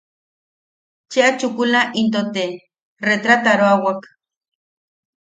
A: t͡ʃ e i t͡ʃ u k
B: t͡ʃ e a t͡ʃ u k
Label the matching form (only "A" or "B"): B